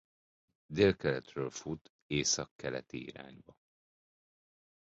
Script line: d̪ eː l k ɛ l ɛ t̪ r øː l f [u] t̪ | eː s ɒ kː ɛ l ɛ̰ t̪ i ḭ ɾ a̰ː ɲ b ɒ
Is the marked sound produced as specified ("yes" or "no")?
yes